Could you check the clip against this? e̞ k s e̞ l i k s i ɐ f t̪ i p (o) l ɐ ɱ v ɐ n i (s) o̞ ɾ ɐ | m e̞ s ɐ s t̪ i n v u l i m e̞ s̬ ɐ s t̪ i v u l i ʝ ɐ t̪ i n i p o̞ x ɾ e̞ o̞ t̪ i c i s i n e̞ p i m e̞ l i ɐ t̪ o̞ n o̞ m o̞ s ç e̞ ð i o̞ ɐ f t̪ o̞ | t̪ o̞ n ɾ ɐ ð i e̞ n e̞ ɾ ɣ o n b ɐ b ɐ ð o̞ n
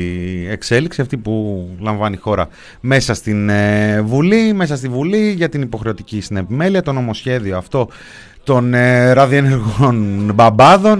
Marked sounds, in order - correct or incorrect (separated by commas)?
incorrect, incorrect